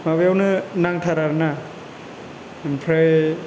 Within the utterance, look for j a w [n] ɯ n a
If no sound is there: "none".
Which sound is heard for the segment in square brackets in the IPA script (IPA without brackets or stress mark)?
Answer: n